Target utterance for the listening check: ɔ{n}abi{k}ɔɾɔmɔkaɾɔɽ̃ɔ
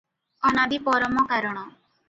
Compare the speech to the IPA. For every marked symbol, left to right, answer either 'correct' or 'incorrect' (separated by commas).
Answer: correct, incorrect